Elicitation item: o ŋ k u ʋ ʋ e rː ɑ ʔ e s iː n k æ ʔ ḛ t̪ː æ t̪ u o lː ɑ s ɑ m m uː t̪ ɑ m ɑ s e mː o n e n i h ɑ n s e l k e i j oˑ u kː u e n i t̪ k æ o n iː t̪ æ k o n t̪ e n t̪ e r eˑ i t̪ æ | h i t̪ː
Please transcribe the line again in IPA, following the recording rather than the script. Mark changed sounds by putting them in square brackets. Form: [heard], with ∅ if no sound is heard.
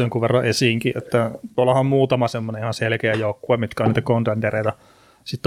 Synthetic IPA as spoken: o ŋ k u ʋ ʋ e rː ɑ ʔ e s iː [ŋ] k [i] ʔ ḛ t̪ː æ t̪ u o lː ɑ [h] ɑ m m uː t̪ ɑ m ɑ s e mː o n e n i h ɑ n s e l k e [æ] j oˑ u kː u e [m] i t̪ k æ o n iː t̪ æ k o n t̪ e n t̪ e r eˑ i t̪ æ | [s] i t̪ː